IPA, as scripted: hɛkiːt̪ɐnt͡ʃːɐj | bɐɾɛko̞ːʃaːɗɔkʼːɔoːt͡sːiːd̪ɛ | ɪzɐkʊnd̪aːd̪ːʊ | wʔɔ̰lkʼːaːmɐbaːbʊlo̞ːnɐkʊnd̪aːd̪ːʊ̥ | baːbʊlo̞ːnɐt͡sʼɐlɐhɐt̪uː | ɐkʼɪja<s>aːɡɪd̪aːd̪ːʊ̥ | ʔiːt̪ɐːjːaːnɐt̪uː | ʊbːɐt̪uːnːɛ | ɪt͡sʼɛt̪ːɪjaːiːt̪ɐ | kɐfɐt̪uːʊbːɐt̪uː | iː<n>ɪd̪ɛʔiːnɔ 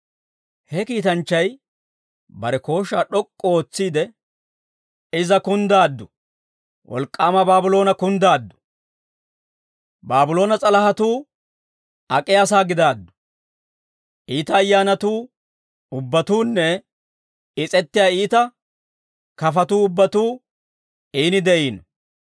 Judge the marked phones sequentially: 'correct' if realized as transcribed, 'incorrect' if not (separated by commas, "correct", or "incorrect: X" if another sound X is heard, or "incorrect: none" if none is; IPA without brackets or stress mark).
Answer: correct, correct